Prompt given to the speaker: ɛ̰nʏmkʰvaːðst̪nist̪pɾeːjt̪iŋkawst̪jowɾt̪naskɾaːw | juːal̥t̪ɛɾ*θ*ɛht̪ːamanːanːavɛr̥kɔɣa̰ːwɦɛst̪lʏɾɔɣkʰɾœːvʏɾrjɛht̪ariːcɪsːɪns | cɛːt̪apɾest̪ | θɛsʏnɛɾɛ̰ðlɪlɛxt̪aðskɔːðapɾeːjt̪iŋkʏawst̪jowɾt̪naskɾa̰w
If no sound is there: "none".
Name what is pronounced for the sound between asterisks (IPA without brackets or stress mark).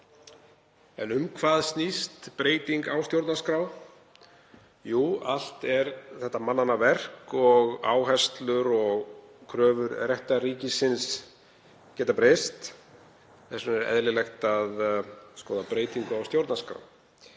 θ